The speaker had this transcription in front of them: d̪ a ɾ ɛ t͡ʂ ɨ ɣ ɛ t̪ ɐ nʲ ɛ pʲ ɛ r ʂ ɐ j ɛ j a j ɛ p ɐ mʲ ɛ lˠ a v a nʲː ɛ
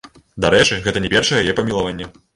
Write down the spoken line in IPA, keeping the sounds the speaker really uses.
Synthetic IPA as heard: d̪ a ɾ ɛ t͡ʂ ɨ ɣ ɛ t̪ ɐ nʲ ɛ pʲ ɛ r ʂ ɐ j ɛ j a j ɛ p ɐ mʲ i lˠ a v a nʲː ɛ

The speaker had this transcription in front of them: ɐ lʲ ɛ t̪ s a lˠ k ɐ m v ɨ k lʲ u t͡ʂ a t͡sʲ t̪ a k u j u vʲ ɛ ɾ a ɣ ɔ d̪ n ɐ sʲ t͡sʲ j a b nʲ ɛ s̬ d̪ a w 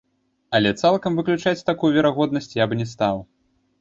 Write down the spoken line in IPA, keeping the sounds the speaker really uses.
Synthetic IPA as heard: ɐ lʲ ɛ t̪ s a lˠ k ɐ m v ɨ k lʲ u t͡ʂ a t͡sʲ t̪ a k u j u vʲ ɛ ɾ a ɣ ɔ d̪ n ɐ sʲ t͡sʲ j a b nʲ ɛ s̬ t̪ a w

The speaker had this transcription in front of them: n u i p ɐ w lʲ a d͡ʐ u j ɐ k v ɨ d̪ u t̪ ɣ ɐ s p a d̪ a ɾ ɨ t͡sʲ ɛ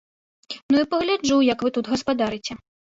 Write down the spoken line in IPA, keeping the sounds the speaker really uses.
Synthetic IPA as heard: n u i p ɐ ɣ lʲ a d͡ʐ u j ɐ k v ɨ t̪ u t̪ ɣ ɐ s p a d̪ a ɾ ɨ t͡sʲ ɛ

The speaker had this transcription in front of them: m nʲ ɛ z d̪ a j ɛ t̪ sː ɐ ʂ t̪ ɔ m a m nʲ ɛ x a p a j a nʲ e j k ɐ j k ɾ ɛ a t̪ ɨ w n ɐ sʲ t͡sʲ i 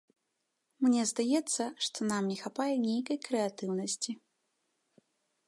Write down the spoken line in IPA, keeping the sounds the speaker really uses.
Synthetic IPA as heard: m nʲ ɛ z d̪ a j ɛ t̪ sː ɐ ʂ t̪ ɔ n a m nʲ ɛ x a p a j ɛ nʲ e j k ɐ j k ɾ ɛ a t̪ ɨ w n ɐ sʲ t͡sʲ i

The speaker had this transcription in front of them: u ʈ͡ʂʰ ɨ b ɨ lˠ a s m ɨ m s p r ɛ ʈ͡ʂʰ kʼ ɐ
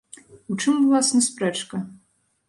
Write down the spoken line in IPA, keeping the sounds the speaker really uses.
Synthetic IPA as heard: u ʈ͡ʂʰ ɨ m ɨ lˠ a s n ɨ s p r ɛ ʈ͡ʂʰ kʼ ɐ

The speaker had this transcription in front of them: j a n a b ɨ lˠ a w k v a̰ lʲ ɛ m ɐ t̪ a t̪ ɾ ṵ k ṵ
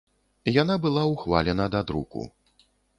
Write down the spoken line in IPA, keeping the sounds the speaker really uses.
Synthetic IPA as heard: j a n a b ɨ lˠ a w x v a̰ lʲ ɛ n ɐ d̪ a d̪ ɾ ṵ k ṵ

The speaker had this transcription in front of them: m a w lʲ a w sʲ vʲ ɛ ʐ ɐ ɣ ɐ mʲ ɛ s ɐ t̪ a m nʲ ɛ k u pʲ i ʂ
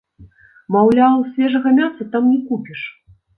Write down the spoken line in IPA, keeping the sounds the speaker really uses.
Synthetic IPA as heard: m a w lʲ a w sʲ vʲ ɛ ʐ ɐ ɣ ɐ mʲ a s ɐ t̪ a m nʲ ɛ k u pʲ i ʂ

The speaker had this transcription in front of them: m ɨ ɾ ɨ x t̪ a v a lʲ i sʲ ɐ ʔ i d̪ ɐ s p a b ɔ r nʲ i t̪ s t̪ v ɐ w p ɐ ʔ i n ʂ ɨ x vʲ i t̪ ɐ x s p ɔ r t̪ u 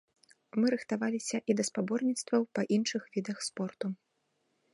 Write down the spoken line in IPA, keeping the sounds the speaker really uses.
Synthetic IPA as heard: m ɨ ɾ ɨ x t̪ a v a lʲ i sʲ ɐ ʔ i d̪ ɐ s p a b ɔ r nʲ i t̪ s t̪ v ɐ w p ɐ ʔ i n ʂ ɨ x vʲ i d̪ ɐ x s p ɔ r t̪ u

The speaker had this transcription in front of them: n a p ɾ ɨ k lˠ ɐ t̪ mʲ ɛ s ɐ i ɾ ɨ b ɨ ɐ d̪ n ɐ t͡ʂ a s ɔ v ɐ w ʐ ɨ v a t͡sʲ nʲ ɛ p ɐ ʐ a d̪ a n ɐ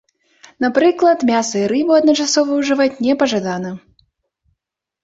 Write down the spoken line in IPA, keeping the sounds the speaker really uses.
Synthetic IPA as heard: n a p ɾ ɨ k lˠ ɐ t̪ mʲ a s ɐ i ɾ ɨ b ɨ ɐ d̪ n ɐ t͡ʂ a s ɔ v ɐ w ʐ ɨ v a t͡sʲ nʲ ɛ p ɐ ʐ a d̪ a n ɐ

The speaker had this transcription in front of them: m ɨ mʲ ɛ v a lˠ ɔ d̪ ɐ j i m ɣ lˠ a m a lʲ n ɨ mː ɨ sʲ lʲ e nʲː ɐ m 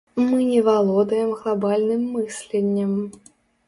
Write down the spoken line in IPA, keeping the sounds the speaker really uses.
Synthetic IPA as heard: m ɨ nʲ ɛ v a lˠ ɔ d̪ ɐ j ɛ m ɣ lˠ a b a lʲ n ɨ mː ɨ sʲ lʲ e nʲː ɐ m

